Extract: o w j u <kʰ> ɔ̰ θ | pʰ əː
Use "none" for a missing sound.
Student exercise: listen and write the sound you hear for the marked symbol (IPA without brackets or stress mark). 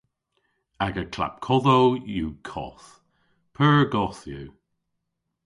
kʰ